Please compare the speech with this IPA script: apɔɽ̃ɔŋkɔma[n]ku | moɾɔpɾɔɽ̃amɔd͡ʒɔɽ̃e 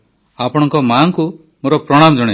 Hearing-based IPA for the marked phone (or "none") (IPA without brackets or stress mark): ŋ